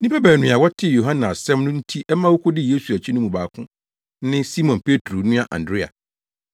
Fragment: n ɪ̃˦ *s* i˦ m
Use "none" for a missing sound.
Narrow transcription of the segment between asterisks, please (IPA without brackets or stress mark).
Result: s